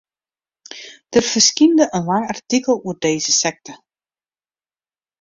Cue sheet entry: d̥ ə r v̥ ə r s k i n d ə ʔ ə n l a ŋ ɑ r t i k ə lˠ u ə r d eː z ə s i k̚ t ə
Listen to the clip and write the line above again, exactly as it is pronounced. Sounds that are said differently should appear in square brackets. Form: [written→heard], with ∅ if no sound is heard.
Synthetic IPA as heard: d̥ ə r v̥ ə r s k i n d ə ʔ ə n l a ŋ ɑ r t i k ə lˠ u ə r d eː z ə s [i→ɛ] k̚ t ə